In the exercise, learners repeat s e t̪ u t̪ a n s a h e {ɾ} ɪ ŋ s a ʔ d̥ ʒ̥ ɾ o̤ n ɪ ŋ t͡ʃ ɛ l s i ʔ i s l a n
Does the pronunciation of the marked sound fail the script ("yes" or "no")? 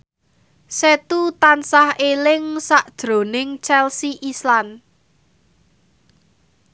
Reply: yes